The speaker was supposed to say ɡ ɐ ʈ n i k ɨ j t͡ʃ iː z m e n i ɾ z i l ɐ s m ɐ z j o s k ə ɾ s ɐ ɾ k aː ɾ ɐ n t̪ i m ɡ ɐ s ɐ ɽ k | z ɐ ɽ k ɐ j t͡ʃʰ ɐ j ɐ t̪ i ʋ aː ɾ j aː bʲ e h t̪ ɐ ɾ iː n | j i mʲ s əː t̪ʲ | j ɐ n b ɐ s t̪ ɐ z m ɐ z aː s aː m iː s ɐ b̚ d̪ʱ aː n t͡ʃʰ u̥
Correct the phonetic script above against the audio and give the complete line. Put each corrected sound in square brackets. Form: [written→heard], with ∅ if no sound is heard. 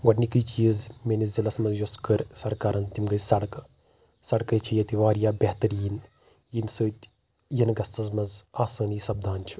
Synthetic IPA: ɡ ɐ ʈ n i k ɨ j t͡ʃ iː z m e n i [ɾ→∅] z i l ɐ s m ɐ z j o s k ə ɾ s ɐ ɾ k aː ɾ ɐ n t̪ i m ɡ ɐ s ɐ ɽ k | [z→s] ɐ ɽ k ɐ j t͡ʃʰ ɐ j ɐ t̪ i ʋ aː ɾ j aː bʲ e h t̪ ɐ ɾ iː n | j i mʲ s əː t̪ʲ | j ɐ n [b→ɡ] ɐ s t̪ ɐ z m ɐ z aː s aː [m→n] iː s ɐ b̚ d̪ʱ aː n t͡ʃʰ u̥

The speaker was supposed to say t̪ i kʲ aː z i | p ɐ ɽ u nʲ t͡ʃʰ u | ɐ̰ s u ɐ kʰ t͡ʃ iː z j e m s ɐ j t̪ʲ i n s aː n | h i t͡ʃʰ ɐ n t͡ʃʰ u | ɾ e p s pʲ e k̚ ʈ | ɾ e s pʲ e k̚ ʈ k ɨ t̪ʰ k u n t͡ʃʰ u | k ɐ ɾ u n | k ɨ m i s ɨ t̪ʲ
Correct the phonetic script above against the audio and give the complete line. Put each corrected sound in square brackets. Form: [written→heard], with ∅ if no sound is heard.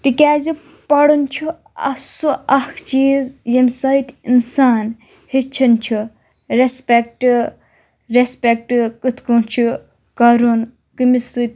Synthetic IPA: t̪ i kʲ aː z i | p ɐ ɽ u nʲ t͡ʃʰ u | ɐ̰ s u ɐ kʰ t͡ʃ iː z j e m s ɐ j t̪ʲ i n s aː n | h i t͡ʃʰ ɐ n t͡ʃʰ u | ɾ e [p→∅] s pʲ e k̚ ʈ | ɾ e s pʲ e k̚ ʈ k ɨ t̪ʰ k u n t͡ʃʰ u | k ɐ ɾ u n | k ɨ m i s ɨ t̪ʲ

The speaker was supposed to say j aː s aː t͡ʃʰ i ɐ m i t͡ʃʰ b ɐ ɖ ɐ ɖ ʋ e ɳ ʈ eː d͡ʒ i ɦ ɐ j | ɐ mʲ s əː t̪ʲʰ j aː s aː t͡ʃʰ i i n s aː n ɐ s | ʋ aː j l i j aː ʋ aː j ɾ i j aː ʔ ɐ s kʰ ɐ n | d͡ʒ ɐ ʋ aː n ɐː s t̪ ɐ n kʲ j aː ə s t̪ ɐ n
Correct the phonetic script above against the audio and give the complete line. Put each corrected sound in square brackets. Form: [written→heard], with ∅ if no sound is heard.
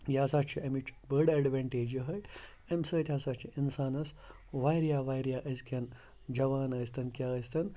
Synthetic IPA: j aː s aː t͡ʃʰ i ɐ m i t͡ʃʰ b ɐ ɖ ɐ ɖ ʋ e ɳ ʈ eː d͡ʒ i ɦ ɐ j | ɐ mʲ s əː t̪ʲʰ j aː s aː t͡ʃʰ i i n s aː n ɐ s | ʋ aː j [l→ɾ] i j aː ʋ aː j ɾ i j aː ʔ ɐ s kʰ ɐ n | d͡ʒ ɐ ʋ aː n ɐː s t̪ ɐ n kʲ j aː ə s t̪ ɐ n

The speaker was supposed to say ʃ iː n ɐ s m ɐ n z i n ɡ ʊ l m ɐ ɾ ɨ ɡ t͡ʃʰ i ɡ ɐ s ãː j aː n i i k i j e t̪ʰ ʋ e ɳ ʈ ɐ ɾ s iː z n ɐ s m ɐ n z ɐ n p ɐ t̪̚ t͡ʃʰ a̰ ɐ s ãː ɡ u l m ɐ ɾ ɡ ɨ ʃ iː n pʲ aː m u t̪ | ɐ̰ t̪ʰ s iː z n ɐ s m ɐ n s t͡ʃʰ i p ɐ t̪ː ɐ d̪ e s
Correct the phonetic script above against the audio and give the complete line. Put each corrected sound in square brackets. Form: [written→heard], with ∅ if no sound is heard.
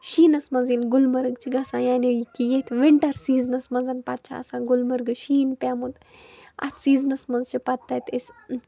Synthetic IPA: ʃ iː n ɐ s m ɐ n z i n ɡ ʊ l m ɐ ɾ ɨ ɡ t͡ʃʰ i ɡ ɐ s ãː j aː n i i k i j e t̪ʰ ʋ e ɳ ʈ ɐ ɾ s iː z n ɐ s m ɐ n z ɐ n p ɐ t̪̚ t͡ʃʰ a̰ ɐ s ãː ɡ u l m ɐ ɾ ɡ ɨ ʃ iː n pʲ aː m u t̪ | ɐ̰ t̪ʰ s iː z n ɐ s m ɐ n [s→z] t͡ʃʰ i p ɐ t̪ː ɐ [d̪→t̪] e s

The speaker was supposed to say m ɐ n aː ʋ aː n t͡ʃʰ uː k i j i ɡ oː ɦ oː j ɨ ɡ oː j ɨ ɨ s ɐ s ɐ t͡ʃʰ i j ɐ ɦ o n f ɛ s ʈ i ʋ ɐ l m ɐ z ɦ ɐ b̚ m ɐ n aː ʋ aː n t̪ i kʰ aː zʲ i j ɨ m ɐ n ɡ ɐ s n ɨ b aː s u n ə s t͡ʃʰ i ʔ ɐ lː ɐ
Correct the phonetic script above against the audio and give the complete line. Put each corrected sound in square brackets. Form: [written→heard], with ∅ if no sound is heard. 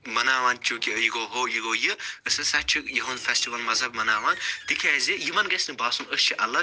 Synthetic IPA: m ɐ n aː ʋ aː n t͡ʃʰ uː k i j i ɡ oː ɦ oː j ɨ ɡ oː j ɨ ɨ s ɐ s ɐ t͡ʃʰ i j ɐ ɦ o n f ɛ s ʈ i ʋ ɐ l m ɐ z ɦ ɐ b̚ m ɐ n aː ʋ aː n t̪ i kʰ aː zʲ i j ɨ m ɐ n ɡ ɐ s n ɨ b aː s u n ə s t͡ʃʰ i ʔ ɐ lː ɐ

